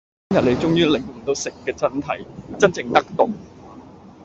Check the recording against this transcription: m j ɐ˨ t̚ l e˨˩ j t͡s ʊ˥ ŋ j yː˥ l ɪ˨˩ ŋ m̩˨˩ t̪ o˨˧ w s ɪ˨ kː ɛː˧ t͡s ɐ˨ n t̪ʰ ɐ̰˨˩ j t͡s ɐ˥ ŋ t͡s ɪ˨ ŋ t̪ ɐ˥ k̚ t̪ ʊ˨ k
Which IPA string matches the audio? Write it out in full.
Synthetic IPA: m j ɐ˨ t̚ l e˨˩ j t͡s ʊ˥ ŋ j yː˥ l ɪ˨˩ ŋ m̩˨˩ t̪ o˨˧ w s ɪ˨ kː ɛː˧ t͡s ɐ˥ n t̪ʰ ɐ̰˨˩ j t͡s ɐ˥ n t͡s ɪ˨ ŋ t̪ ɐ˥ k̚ t̪ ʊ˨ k